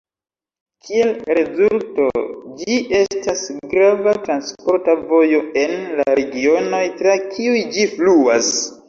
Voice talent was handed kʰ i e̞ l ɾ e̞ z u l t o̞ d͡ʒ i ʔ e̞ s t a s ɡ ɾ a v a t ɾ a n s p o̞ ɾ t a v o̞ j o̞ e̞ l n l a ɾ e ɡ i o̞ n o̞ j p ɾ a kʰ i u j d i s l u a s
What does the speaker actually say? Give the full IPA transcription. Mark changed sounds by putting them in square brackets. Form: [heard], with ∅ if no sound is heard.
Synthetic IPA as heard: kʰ i e̞ l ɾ e̞ z u l t o̞ d͡ʒ i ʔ e̞ s t a s ɡ ɾ a v a t ɾ a n s p o̞ ɾ t a v o̞ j o̞ e̞ [∅] n l a ɾ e ɡ i o̞ n o̞ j [t] ɾ a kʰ i u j [d͡ʒ] i [f] l u a s